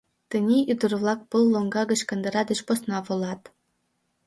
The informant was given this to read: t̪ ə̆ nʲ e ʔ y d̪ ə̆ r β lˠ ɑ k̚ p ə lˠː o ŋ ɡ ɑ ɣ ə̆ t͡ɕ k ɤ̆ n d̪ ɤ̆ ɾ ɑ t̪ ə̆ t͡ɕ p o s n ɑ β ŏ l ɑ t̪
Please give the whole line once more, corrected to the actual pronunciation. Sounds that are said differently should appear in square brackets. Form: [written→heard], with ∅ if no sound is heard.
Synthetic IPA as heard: t̪ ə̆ nʲ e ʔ y d̪ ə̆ r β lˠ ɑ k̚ p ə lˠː o ŋ ɡ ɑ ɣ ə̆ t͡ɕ k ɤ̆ n d̪ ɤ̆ ɾ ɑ [t̪→d̪] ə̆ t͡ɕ p o s n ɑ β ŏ l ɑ t̪